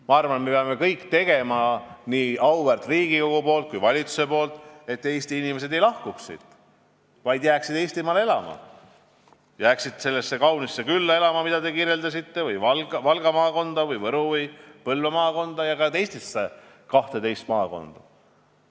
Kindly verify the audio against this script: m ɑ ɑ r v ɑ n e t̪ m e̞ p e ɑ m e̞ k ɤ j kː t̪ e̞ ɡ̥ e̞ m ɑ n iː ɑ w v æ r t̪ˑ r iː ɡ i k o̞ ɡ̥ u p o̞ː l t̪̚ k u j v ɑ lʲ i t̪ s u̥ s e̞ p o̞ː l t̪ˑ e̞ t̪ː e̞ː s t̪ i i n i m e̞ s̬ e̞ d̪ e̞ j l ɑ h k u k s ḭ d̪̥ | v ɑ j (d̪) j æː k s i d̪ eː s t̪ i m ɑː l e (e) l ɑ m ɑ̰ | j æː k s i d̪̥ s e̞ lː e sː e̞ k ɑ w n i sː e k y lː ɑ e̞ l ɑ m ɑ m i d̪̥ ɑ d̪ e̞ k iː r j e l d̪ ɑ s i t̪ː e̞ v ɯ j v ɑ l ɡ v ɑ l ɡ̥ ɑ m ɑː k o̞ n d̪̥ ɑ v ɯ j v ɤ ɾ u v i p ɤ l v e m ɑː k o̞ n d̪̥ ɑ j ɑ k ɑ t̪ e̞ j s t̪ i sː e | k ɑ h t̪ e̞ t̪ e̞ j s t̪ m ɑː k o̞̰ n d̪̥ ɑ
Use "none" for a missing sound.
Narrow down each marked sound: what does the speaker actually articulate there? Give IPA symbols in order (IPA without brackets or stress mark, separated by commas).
d̪, e